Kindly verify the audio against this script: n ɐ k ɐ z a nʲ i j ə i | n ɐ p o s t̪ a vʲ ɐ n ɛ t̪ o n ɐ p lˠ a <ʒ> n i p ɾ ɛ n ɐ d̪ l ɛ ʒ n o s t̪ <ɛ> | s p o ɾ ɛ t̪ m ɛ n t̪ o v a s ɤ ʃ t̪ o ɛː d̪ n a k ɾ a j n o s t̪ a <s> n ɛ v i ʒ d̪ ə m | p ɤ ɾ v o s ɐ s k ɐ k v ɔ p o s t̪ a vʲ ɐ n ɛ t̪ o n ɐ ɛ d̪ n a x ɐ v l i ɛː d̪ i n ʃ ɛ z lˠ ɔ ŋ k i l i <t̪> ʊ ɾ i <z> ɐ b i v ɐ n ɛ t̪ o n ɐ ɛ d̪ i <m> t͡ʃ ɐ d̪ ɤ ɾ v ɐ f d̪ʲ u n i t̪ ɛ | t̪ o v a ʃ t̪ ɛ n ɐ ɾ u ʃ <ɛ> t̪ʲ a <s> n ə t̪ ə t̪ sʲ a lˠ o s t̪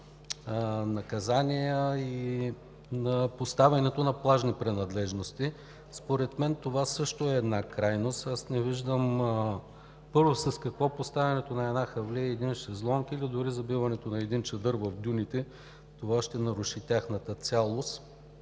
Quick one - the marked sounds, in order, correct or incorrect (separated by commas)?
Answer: correct, incorrect, correct, incorrect, correct, incorrect, incorrect, incorrect